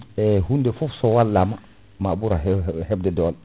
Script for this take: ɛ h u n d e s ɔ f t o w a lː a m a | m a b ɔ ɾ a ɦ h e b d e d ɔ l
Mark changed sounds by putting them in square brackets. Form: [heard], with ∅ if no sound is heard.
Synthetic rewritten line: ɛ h u n d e [f] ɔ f [s] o w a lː a m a | m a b [u] ɾ a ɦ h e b d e d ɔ l